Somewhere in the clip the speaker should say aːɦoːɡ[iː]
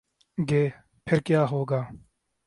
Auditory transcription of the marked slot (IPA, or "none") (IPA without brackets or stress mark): aː